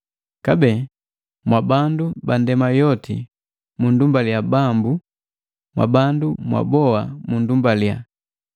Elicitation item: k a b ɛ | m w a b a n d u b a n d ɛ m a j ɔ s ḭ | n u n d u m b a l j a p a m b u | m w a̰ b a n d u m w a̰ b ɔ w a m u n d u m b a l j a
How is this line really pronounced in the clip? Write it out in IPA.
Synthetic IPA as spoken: k a b ɛ | m w a b a n d u b a n d ɛ m a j ɔ t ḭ | m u n d u m b a l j a b a m b u | m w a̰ b a n d u m w a̰ b ɔ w a m u n d u m b a l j a